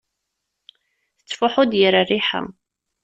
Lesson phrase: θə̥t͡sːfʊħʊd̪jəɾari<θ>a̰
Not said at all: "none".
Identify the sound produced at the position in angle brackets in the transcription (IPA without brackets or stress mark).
ħ